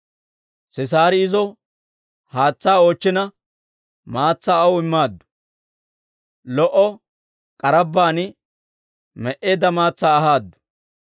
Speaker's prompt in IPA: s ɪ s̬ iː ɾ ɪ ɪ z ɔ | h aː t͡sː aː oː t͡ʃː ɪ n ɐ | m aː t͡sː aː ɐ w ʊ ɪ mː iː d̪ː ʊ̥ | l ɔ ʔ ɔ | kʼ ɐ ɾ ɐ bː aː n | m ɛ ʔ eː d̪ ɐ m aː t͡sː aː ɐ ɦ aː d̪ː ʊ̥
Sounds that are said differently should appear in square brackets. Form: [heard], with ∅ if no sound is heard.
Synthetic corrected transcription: s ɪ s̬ [aː] ɾ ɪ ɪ z ɔ | h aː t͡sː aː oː t͡ʃː ɪ n ɐ | m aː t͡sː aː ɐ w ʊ ɪ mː [aː] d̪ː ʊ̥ | l ɔ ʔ ɔ | kʼ ɐ ɾ ɐ bː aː n | m ɛ ʔ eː d̪ ɐ m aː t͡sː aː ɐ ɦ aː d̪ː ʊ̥